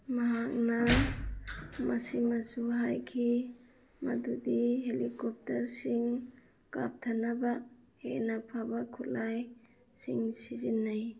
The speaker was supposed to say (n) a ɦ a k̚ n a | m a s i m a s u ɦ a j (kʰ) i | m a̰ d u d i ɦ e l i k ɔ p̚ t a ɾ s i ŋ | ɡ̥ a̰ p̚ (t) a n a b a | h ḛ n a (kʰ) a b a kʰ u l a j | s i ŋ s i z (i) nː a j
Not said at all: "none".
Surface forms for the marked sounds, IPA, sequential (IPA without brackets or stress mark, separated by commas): m, kʰ, tʰ, pʰ, i